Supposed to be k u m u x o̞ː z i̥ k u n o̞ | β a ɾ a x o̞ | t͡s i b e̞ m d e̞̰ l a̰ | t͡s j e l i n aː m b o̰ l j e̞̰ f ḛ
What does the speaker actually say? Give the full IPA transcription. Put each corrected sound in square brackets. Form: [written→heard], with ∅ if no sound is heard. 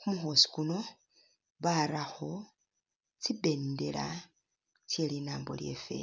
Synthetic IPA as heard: k u m u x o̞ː [z→s] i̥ k u n o̞ | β a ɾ a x o̞ | t͡s i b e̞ [m→n] d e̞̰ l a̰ | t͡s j e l i n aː m b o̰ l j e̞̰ f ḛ